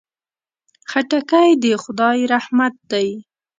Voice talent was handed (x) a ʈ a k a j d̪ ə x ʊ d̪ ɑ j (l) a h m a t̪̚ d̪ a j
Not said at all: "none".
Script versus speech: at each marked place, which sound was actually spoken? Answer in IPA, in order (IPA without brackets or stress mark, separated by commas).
x, ɾ